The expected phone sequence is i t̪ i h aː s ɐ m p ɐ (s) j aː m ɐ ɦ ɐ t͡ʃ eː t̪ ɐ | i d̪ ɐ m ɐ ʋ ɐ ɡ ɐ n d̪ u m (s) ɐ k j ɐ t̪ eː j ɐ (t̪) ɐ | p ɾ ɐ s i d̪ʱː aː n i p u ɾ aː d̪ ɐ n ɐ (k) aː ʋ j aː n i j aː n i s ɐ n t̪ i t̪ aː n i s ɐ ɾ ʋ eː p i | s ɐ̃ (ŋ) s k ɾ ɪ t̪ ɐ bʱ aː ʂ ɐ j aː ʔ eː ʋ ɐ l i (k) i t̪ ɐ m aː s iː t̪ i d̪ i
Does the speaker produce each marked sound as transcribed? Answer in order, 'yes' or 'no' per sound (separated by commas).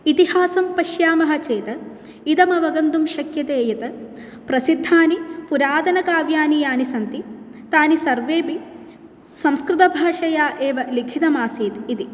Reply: no, no, yes, yes, no, no